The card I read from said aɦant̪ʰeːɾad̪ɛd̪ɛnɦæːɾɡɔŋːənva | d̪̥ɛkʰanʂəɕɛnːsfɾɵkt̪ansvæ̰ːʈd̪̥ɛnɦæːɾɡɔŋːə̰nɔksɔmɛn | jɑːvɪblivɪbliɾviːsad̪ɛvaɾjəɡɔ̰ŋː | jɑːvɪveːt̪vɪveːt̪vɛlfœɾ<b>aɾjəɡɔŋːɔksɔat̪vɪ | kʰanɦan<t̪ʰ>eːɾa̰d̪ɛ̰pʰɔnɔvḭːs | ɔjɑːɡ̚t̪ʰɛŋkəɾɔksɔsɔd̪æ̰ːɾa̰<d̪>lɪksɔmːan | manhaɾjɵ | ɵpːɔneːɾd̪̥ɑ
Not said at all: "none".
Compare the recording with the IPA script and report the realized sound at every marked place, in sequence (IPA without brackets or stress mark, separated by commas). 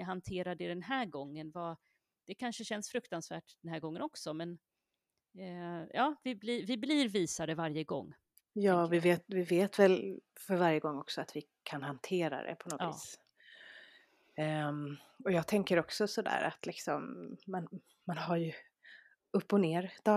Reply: v, t̪ʰ, t̪